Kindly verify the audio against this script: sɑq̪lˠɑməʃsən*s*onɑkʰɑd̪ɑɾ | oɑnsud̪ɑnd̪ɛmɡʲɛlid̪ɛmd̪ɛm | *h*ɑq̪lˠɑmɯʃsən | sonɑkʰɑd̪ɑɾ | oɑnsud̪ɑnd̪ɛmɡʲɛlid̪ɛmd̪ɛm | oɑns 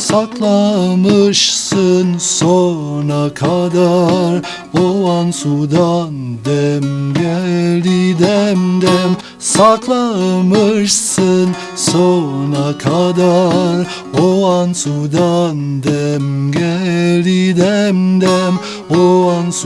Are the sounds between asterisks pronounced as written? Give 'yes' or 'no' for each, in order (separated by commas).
yes, no